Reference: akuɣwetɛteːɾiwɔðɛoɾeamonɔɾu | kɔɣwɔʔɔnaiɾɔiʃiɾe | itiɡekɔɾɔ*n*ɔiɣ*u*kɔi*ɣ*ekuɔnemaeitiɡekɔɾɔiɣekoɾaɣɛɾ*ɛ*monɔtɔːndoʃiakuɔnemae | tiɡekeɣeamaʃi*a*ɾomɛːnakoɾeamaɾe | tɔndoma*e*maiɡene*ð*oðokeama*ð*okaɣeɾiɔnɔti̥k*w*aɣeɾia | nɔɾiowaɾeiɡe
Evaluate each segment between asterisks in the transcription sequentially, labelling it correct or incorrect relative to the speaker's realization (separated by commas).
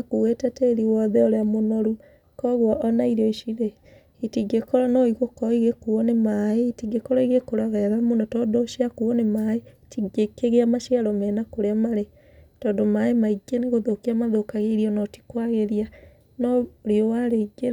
correct, incorrect, correct, incorrect, correct, correct, incorrect, correct, correct